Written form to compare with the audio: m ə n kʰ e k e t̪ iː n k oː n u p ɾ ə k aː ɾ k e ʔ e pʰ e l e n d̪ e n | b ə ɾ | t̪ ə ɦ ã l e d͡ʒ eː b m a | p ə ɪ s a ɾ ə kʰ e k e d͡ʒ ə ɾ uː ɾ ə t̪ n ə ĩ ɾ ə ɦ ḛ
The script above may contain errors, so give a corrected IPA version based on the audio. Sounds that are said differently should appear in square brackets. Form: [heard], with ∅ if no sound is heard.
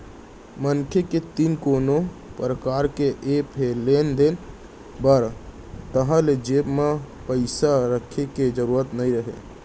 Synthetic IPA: m ə n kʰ e k e t̪ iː n k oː n [o] p ɾ ə k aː ɾ k e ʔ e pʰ e l e n d̪ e n | b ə ɾ | t̪ ə ɦ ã l e d͡ʒ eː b m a | p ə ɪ s a ɾ ə kʰ e k e d͡ʒ ə ɾ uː ɾ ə t̪ n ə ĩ ɾ ə ɦ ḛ